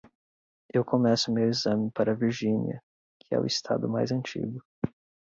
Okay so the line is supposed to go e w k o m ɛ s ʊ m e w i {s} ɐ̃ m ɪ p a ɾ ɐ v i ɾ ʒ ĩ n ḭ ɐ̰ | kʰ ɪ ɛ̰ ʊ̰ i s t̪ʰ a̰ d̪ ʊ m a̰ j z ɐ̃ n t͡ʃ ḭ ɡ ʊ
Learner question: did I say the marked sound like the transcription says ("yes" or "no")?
no